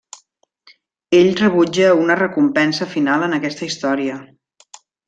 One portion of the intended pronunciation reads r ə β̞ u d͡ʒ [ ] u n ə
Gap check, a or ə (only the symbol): ə